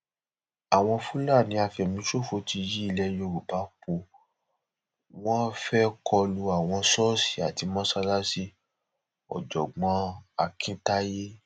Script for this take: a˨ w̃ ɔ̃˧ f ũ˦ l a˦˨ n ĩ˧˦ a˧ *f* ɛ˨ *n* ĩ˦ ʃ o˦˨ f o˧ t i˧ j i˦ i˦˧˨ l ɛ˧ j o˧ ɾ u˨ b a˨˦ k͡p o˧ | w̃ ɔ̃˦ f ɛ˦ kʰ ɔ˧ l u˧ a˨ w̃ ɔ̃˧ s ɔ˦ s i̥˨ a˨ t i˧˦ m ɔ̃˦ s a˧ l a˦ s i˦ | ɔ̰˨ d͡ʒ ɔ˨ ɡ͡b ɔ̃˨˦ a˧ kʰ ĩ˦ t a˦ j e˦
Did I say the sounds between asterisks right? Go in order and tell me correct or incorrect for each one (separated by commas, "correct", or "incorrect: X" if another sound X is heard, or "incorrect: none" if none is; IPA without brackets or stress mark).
correct, incorrect: m